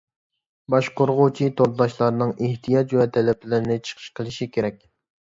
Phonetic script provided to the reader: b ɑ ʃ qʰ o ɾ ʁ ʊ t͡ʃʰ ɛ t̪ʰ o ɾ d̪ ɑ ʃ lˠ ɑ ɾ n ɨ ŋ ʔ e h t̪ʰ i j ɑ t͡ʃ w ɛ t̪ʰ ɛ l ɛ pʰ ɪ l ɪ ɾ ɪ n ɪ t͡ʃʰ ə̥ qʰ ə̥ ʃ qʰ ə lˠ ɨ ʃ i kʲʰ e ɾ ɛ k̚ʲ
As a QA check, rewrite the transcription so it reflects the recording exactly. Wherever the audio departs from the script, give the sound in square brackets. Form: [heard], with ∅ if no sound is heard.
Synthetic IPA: b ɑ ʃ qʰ o ɾ ʁ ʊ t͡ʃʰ [i] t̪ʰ o ɾ d̪ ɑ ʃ lˠ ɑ ɾ n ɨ ŋ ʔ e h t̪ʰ i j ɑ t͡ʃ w ɛ t̪ʰ ɛ l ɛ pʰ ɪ l ɪ ɾ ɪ n ɪ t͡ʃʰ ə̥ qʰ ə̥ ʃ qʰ ə lˠ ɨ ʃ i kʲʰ e ɾ ɛ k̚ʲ

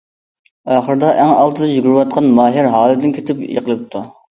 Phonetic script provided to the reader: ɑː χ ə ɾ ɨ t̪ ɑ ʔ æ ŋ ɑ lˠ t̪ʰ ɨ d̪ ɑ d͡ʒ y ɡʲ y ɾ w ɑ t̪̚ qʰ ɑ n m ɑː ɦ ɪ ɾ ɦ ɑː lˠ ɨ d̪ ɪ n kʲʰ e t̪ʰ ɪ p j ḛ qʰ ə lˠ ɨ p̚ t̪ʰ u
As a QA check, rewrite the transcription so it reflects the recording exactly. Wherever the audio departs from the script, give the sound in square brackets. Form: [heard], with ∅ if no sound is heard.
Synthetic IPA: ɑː χ ə ɾ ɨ [d̪] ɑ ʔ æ ŋ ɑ lˠ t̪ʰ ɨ d̪ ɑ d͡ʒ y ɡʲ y ɾ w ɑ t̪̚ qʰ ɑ n m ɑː ɦ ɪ ɾ ɦ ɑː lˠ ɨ d̪ ɪ n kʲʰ e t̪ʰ ɪ p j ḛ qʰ ə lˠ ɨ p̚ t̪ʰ u

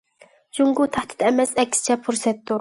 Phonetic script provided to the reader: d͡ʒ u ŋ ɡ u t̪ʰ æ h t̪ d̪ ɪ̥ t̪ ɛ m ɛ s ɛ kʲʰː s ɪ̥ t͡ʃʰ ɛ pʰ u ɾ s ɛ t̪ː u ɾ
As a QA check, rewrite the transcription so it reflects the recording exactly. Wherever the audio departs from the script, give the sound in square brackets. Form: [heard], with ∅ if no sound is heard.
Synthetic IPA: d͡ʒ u ŋ ɡ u t̪ʰ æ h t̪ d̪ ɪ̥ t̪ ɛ m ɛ s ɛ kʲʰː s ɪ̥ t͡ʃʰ ɛ pʰ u ɾ s ɛ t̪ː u ɾ

